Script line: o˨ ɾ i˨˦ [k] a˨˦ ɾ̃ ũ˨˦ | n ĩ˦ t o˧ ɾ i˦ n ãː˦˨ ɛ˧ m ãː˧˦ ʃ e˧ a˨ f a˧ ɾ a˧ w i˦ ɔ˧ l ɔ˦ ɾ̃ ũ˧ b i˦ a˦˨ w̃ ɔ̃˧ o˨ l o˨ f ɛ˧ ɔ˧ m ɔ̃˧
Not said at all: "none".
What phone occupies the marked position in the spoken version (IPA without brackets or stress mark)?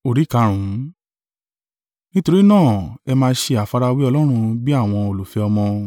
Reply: k